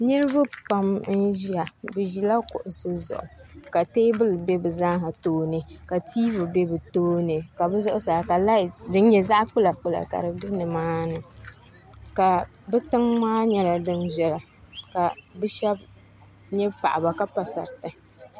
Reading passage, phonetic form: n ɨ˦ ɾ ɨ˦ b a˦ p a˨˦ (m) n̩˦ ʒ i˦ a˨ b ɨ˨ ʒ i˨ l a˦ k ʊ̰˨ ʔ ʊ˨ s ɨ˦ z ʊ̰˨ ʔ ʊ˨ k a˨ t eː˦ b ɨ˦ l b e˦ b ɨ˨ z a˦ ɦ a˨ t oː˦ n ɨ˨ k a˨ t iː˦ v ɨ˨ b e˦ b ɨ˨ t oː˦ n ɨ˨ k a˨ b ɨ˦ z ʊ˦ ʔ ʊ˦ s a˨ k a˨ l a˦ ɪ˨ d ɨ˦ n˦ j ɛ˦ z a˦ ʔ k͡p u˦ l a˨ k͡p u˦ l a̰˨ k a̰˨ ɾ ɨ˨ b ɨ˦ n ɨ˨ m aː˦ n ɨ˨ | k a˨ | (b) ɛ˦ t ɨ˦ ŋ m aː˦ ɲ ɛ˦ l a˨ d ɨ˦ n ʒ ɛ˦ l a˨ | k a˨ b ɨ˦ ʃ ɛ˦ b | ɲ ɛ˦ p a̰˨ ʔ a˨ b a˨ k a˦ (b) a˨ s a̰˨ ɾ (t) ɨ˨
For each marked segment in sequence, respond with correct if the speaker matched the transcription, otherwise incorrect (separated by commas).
correct, correct, incorrect, correct